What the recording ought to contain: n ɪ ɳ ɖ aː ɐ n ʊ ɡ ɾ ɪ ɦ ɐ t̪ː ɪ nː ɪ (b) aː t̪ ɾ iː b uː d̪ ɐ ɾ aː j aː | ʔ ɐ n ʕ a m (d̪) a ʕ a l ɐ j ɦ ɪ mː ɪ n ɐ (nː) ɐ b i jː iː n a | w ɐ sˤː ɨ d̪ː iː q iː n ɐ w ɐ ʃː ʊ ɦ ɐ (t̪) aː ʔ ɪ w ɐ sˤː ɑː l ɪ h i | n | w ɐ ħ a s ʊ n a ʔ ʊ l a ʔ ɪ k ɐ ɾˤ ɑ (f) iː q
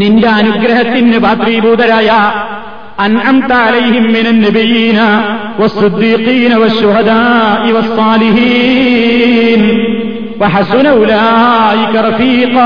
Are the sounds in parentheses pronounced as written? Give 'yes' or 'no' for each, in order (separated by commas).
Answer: yes, no, yes, no, yes